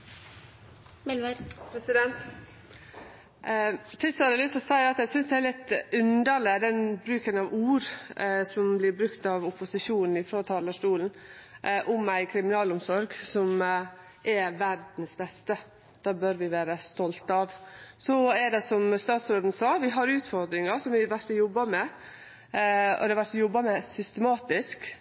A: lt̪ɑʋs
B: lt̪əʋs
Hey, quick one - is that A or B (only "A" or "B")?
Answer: A